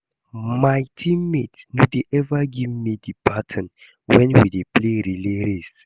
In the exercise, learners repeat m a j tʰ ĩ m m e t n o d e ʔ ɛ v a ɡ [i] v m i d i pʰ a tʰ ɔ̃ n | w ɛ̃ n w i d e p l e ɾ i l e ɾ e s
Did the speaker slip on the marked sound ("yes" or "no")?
no